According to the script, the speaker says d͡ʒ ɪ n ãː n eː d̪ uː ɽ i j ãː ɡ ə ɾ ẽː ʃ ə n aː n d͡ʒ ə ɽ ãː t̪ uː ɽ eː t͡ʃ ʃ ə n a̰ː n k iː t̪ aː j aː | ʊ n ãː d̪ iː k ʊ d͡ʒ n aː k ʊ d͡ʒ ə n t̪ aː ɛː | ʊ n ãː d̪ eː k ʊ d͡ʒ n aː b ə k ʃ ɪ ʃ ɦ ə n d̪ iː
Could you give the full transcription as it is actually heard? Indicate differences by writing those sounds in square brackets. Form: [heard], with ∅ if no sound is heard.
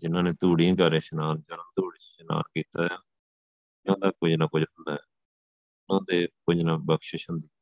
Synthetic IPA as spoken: d͡ʒ ɪ n ãː n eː [t̪] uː ɽ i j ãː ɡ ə ɾ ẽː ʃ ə n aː n d͡ʒ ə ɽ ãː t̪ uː ɽ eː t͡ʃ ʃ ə n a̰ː n k iː t̪ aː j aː | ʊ n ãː d̪ [aː] k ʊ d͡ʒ n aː k ʊ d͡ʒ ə n [d̪] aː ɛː | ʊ n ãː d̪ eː k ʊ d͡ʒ n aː b ə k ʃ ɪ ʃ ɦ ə n d̪ iː